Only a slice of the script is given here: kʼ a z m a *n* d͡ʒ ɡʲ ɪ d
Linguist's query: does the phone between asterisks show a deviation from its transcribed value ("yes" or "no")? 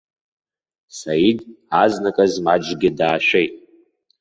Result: yes